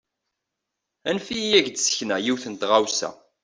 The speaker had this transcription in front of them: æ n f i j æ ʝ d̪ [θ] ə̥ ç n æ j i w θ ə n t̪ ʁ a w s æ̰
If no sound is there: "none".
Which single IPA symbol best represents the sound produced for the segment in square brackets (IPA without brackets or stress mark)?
s